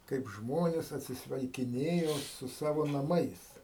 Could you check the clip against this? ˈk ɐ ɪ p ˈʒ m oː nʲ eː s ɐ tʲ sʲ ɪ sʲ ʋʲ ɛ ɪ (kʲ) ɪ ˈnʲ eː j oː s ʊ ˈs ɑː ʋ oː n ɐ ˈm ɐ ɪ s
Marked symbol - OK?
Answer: yes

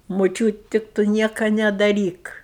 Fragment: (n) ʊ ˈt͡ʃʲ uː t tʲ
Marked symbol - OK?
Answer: no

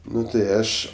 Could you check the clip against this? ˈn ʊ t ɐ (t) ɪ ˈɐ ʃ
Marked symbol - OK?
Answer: no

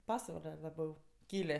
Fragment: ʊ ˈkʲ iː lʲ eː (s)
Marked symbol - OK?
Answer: no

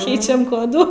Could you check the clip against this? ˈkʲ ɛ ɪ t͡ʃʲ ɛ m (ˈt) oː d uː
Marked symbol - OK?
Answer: no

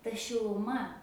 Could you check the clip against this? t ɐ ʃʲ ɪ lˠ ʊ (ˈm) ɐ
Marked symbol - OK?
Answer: yes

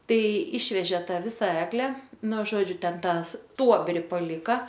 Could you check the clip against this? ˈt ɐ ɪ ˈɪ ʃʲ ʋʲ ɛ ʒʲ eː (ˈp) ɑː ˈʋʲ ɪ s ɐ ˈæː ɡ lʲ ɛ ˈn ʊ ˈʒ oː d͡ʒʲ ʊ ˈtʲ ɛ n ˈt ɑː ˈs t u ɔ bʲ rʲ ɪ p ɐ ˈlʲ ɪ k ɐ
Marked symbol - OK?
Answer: no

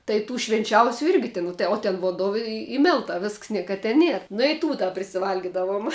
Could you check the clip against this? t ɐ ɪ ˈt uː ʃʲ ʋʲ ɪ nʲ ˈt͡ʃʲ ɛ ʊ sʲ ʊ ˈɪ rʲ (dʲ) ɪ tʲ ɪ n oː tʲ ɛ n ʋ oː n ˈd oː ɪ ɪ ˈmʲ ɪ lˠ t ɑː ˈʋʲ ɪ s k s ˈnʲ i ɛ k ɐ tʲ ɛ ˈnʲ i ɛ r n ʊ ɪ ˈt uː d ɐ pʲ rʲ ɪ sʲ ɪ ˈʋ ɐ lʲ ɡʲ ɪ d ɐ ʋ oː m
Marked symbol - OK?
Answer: no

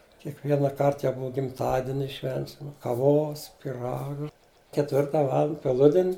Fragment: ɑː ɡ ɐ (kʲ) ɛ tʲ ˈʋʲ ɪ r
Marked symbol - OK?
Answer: yes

